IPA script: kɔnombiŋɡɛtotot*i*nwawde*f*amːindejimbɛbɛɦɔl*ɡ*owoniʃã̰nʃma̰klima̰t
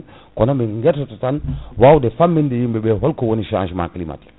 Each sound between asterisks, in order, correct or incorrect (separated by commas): incorrect, correct, incorrect